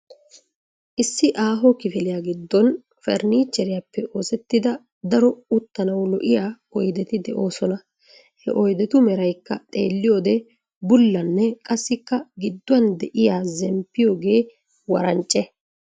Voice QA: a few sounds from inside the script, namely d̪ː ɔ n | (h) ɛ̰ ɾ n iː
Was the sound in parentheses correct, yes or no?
no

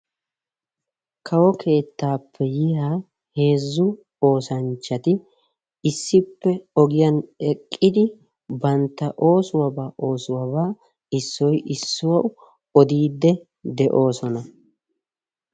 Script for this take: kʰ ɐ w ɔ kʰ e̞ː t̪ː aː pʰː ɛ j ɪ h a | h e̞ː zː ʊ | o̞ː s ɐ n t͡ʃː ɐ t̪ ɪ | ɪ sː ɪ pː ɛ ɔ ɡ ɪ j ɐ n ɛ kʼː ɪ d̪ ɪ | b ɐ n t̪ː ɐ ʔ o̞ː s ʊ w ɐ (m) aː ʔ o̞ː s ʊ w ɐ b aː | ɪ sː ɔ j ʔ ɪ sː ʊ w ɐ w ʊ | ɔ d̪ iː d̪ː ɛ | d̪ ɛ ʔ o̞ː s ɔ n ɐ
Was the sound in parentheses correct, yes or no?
no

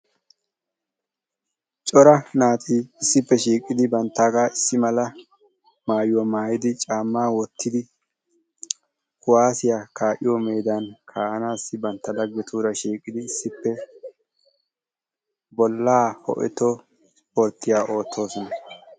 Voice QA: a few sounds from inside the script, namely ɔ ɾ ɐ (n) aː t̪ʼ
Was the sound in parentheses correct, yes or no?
yes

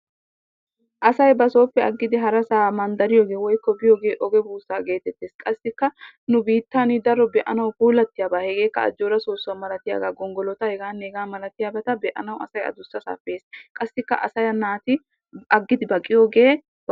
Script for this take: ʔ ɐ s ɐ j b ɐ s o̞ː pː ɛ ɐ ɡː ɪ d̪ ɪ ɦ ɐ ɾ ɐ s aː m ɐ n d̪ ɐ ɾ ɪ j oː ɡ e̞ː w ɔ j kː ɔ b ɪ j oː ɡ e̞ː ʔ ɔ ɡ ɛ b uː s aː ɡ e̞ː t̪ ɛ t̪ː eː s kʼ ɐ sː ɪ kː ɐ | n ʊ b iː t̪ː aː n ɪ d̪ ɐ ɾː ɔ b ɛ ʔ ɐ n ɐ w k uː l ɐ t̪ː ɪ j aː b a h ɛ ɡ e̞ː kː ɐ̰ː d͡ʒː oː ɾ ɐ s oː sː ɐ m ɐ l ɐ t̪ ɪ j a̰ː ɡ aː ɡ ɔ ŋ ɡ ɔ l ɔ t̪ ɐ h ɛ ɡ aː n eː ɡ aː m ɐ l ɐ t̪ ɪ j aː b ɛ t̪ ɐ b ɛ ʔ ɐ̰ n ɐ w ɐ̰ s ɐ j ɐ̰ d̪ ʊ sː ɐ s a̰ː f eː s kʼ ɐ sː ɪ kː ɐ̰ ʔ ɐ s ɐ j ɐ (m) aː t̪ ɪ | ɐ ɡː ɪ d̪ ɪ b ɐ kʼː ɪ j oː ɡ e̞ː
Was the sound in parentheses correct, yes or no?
no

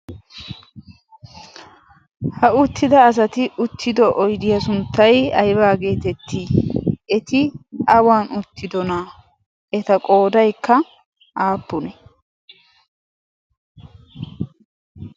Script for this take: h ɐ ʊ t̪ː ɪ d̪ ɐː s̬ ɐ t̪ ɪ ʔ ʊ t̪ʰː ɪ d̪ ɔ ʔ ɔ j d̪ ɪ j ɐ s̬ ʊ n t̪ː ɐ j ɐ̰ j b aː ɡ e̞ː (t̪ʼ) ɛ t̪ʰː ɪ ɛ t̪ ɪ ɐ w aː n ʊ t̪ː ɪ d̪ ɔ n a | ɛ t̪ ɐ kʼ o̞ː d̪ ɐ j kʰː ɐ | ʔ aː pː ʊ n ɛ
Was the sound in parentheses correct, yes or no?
no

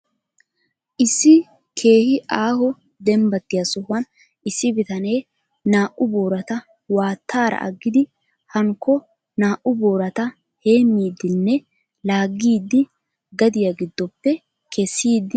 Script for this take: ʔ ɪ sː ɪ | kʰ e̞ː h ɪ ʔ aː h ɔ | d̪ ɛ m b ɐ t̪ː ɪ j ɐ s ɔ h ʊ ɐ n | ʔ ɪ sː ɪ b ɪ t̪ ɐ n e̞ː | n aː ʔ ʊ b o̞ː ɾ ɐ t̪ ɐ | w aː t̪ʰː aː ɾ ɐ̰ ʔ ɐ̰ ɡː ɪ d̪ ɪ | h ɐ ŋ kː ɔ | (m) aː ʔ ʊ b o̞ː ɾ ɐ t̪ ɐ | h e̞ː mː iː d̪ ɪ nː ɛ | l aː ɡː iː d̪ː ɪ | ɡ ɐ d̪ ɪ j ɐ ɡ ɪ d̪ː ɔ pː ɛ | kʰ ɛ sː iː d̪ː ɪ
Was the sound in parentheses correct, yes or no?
no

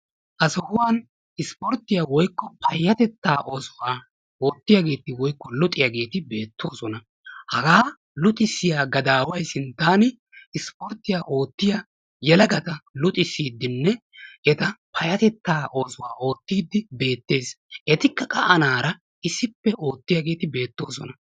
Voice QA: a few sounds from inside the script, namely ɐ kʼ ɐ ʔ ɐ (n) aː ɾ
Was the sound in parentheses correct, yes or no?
yes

